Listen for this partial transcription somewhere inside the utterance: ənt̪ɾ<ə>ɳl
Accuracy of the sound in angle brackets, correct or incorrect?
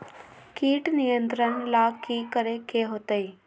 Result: correct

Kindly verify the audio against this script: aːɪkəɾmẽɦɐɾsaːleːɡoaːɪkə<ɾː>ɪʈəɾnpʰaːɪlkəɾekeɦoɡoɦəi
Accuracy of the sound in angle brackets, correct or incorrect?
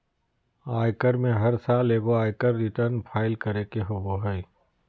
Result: correct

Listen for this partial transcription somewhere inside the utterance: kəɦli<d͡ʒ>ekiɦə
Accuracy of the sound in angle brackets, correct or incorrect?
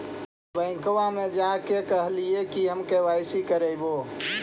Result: incorrect: none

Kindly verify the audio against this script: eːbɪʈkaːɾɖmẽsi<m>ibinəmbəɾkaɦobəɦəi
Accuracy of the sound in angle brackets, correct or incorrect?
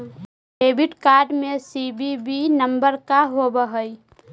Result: incorrect: b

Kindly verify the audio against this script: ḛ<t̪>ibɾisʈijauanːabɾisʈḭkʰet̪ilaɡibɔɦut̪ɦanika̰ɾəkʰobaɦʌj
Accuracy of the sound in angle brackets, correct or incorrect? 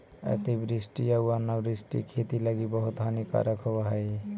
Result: correct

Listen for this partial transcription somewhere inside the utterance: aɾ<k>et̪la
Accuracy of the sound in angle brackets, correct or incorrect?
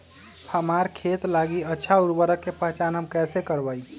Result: incorrect: kʰ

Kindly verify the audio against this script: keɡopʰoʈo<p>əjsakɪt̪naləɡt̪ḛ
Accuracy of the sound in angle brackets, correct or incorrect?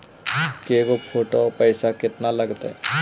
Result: correct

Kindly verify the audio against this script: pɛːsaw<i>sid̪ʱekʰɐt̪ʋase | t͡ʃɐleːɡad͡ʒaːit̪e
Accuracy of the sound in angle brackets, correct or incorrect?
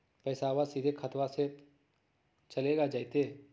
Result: incorrect: a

